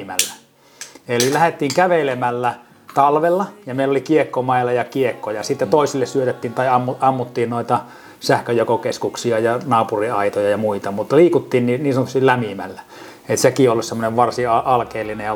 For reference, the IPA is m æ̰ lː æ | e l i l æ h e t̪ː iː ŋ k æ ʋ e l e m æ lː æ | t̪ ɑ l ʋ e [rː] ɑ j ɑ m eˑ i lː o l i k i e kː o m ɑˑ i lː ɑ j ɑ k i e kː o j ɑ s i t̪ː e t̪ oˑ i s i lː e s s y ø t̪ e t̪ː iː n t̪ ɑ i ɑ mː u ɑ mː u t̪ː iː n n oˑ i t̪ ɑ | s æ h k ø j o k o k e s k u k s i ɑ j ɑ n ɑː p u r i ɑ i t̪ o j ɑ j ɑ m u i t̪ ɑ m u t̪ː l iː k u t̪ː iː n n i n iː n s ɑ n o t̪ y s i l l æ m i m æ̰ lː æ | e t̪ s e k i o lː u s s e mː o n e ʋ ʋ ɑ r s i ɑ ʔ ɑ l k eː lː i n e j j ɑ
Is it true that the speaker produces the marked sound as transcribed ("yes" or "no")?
no